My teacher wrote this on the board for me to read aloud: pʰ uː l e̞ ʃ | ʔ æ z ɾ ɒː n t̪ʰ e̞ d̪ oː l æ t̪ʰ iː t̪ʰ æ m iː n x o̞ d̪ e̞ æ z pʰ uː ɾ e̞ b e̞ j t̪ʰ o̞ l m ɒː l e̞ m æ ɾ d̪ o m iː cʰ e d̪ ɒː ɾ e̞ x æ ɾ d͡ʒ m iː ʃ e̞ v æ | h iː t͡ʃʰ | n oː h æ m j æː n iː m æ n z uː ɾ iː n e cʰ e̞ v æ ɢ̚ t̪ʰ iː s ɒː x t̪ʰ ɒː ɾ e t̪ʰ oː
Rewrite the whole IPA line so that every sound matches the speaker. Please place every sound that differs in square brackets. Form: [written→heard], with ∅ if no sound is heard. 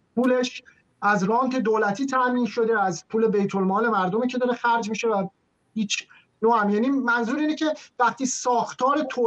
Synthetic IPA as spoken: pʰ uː l e̞ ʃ | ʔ æ z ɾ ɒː n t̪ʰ e̞ d̪ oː l æ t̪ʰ iː t̪ʰ æ m iː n [x→ʃ] o̞ d̪ e̞ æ z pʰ uː [ɾ→l] e̞ b e̞ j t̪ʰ o̞ l m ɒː l e̞ m æ ɾ d̪ o m iː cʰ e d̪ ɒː ɾ e̞ x æ ɾ d͡ʒ m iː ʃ e̞ v æ | h iː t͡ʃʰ | n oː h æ m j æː n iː m æ n z uː ɾ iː n e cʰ e̞ v æ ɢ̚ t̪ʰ iː s ɒː x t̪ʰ ɒː ɾ e t̪ʰ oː